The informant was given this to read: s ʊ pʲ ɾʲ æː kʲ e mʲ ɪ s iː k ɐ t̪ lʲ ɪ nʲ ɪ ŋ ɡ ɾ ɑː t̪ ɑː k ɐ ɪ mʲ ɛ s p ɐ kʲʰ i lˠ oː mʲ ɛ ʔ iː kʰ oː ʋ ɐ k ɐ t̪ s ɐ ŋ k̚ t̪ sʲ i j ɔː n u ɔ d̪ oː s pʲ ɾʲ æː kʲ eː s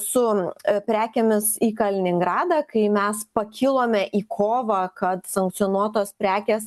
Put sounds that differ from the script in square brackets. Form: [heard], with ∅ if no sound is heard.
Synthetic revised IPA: s ʊ pʲ ɾʲ æː kʲ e mʲ ɪ s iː k ɐ [∅] lʲ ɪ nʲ ɪ ŋ ɡ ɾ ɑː [d̪] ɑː k ɐ ɪ mʲ ɛ s p ɐ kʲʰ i lˠ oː mʲ ɛ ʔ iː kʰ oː ʋ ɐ k ɐ t̪ s ɐ ŋ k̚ t̪ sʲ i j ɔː n u ɔ [t̪] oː s pʲ ɾʲ æː kʲ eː s